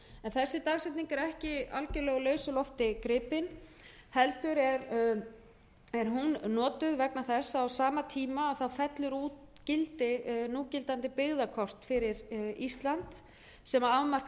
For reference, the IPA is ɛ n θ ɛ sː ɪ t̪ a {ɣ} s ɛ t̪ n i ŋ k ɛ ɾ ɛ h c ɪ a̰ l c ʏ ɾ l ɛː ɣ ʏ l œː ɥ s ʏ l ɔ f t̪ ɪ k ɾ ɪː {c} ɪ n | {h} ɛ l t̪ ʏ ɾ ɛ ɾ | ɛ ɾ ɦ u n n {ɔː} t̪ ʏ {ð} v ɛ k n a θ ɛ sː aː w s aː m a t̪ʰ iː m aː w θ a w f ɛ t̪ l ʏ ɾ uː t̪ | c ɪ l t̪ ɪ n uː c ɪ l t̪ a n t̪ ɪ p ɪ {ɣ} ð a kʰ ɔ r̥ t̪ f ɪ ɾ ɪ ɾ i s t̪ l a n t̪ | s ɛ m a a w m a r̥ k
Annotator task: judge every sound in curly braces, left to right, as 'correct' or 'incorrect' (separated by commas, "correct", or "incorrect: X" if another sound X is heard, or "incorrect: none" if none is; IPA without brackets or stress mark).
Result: correct, incorrect: p, correct, correct, correct, correct